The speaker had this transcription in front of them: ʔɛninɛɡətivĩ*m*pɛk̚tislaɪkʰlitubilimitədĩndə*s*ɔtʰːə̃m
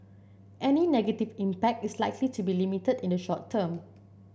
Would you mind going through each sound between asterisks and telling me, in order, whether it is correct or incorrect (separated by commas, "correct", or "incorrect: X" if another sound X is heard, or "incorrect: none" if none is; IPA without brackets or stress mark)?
correct, incorrect: ʃ